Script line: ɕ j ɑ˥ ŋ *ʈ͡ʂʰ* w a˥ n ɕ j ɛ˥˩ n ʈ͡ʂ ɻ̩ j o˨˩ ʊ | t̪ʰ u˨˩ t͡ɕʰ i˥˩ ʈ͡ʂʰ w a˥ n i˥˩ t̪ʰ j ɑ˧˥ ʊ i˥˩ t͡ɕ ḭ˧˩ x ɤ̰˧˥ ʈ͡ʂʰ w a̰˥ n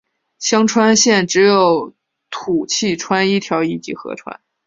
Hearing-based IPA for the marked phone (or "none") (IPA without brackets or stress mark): ʈ͡ʂʰ